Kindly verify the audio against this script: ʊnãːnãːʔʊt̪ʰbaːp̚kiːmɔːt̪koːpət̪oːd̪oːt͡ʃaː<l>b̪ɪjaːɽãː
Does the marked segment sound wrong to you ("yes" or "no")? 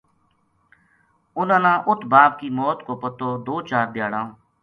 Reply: yes